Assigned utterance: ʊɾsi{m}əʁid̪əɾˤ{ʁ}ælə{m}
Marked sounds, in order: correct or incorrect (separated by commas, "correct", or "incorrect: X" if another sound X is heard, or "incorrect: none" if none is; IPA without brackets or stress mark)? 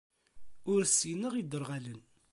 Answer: incorrect: n, correct, incorrect: n